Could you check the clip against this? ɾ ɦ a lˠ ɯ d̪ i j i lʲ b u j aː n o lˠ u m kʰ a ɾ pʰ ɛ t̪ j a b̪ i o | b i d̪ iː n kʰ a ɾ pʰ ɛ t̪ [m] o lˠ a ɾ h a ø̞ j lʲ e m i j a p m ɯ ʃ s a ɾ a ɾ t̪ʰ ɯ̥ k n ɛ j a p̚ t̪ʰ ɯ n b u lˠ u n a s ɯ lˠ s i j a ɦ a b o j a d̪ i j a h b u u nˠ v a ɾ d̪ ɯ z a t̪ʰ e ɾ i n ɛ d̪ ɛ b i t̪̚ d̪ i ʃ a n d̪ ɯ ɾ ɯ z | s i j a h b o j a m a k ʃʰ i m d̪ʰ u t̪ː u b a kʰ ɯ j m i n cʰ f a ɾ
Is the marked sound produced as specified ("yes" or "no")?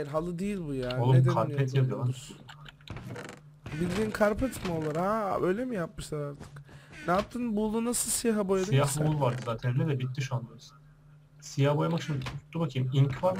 yes